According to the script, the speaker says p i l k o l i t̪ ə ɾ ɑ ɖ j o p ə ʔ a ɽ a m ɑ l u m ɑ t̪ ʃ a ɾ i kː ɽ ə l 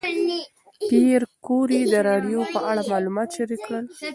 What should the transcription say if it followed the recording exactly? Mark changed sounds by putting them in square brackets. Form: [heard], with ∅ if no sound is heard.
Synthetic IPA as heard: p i [ɾ] k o [ɾ] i [d̪] ə ɾ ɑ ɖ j o p ə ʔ a ɽ a m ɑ l u m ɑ t̪ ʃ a ɾ i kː ɽ ə l